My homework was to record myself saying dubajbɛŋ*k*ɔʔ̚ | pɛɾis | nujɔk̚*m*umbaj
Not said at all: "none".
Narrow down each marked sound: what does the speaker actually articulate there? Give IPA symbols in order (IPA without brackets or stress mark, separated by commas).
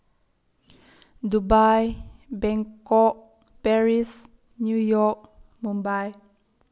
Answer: k, m